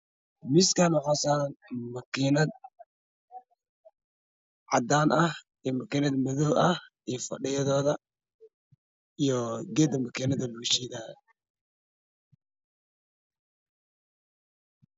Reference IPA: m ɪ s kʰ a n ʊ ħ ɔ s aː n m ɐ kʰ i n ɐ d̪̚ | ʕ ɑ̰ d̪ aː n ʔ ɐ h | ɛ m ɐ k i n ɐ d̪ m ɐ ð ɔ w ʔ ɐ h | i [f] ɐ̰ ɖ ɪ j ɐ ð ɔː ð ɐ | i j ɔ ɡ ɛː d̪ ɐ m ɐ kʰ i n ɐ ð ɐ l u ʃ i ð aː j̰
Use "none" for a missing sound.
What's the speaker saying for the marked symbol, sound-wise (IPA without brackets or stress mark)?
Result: f